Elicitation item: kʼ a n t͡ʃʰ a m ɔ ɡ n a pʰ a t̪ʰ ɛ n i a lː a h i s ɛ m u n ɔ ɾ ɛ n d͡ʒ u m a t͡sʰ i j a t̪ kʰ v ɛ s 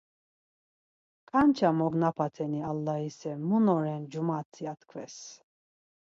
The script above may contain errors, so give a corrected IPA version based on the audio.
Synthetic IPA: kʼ a n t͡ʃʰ a m ɔ ɡ n a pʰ a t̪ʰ ɛ n i a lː a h i s ɛ m u n ɔ ɾ ɛ n d͡ʒ u m a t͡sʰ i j a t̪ kʰ v ɛ s